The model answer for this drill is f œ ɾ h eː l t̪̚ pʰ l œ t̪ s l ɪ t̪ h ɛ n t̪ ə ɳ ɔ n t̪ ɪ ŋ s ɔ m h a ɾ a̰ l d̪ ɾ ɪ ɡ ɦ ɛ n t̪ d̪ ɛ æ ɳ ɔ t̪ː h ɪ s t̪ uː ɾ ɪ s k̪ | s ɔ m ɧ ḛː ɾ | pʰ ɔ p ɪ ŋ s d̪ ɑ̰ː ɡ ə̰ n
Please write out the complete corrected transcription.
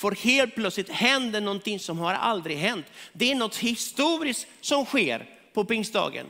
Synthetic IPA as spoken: f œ ɾ h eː l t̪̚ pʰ l œ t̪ s l ɪ t̪ h ɛ n d̪ ə ɳ ɔ n t̪ ɪ ŋ s ɔ m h a ɾ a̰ l d̪ ɾ ɪ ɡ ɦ ɛ n t̪ d̪ ɛ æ ɳ ɔ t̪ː h ɪ s t̪ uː ɾ ɪ s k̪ | s ɔ m ɧ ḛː ɾ | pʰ ɔ p ɪ ŋ s d̪ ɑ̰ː ɡ ə̰ n